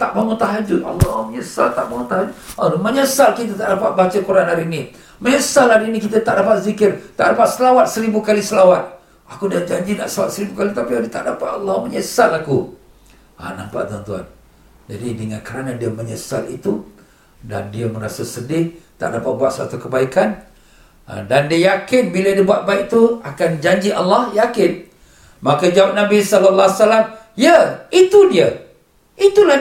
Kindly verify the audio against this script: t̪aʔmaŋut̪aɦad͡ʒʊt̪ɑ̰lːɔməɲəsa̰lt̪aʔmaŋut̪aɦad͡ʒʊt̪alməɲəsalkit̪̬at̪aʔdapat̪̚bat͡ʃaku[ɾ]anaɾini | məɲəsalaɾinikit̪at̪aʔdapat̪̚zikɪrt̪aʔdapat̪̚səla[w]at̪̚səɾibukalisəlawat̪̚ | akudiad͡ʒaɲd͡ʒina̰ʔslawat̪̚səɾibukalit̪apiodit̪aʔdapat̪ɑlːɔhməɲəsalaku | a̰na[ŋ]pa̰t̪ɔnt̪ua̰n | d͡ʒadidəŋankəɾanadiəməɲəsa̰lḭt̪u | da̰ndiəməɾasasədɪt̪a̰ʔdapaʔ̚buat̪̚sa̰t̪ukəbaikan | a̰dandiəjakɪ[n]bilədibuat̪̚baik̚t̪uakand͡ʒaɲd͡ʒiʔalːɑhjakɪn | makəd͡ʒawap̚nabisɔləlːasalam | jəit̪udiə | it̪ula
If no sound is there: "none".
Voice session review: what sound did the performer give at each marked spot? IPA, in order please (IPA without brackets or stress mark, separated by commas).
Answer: ɾ, w, m, n